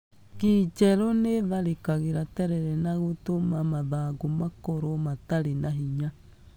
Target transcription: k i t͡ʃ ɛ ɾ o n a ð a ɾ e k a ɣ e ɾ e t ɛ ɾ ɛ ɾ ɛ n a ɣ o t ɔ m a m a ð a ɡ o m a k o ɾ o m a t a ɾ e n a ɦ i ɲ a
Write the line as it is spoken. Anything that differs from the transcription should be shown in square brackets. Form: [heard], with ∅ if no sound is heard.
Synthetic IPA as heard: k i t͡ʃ ɛ ɾ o n [e] ð a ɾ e k a ɣ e ɾ [a] t ɛ ɾ ɛ ɾ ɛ n a ɣ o t [o] m a m a ð a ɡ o m a k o ɾ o m a t a ɾ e n a ɦ i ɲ a